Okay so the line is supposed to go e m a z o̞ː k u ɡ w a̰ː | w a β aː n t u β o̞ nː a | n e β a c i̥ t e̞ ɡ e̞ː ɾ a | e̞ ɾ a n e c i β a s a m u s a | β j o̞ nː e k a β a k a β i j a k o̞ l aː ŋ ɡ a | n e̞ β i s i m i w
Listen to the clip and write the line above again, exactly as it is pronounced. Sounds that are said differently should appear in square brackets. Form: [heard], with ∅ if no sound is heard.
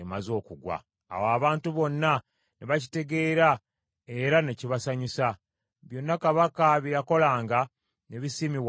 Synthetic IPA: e m a z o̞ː k u ɡ w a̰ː | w a β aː n t u β o̞ nː a | n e β a c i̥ t e̞ ɡ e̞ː ɾ a | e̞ ɾ a n e c i β a s a [ɲ] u s a | β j o̞ nː [a] k a β a k a β i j a k o̞ l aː ŋ ɡ a | n e̞ β i s i m i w